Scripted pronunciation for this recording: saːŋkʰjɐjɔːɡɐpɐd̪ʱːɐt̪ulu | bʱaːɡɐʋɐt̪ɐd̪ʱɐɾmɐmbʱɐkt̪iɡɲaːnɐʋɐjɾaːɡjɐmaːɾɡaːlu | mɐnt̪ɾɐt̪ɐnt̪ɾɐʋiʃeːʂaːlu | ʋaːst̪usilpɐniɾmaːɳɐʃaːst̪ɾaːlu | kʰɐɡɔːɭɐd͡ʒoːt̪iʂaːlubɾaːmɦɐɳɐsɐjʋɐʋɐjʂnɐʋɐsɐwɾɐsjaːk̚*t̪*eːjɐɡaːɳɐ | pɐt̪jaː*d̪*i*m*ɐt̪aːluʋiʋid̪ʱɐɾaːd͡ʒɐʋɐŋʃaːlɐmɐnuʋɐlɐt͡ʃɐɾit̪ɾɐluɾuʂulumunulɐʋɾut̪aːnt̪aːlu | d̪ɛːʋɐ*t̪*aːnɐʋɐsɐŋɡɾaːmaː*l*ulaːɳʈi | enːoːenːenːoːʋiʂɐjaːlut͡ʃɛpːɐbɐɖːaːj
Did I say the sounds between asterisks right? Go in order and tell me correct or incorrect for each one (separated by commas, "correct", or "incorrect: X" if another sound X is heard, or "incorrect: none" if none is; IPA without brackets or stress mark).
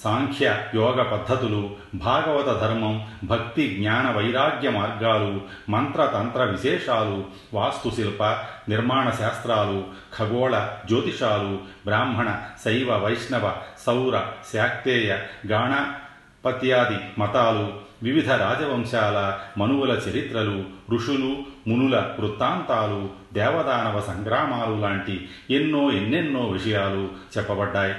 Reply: correct, correct, correct, incorrect: d̪, correct